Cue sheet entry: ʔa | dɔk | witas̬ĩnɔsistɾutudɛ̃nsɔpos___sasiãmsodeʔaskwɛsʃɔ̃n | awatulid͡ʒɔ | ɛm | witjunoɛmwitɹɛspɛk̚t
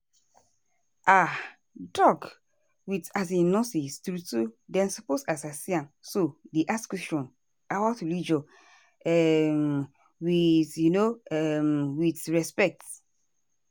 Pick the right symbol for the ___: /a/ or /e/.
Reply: a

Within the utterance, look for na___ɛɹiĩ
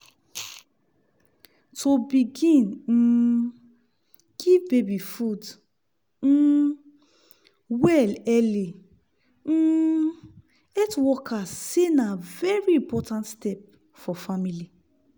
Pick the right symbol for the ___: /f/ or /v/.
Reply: v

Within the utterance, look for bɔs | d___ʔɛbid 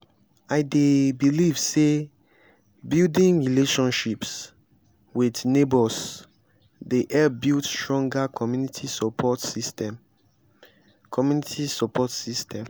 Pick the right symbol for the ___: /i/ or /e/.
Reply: e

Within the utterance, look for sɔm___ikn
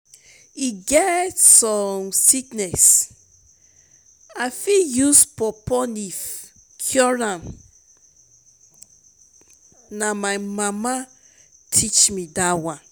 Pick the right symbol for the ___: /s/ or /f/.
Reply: s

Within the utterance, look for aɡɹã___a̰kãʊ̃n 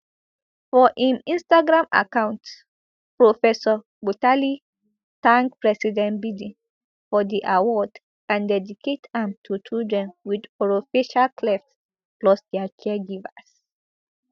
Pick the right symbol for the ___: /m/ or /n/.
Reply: m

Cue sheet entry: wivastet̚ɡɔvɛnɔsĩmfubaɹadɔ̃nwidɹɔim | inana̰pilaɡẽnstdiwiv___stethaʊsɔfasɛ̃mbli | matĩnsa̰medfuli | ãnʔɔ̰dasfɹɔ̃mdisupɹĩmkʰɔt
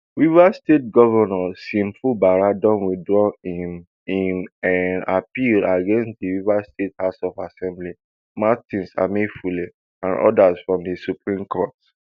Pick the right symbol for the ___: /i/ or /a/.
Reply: a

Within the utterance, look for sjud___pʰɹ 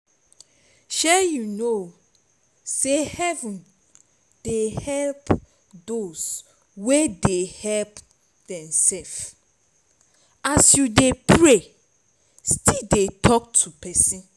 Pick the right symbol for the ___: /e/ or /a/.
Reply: e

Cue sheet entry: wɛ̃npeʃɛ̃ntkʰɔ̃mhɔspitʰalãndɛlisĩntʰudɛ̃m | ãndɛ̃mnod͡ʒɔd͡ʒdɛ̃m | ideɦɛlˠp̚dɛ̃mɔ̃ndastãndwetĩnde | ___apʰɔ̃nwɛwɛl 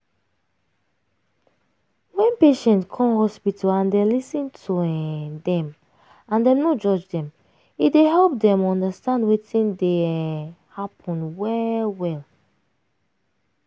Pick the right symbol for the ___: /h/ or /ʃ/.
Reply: h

